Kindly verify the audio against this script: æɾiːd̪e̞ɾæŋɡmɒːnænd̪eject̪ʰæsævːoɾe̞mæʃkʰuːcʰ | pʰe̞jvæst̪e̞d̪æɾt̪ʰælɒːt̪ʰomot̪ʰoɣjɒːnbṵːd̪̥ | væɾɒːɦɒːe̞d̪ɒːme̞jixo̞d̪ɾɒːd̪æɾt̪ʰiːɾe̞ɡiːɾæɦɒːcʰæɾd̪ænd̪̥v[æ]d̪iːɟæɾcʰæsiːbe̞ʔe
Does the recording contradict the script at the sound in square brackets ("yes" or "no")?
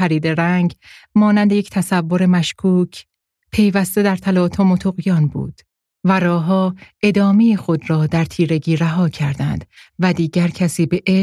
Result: no